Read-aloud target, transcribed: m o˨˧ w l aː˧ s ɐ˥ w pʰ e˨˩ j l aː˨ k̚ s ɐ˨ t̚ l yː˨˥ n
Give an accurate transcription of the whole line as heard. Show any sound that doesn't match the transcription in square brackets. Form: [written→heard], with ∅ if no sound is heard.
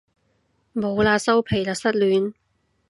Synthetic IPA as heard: m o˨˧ w l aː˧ s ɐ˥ w pʰ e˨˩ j l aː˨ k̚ s [ɐ˨→ɐ˥] t̚ l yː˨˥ n